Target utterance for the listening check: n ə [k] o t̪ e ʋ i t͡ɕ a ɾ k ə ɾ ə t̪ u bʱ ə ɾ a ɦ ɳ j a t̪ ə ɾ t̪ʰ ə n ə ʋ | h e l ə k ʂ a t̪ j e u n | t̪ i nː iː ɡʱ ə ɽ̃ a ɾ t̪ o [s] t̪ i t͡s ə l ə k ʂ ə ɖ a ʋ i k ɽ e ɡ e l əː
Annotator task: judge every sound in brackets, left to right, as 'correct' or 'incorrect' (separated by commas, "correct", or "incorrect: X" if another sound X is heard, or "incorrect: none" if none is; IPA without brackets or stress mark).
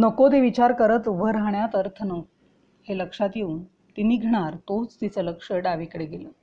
correct, incorrect: t͡s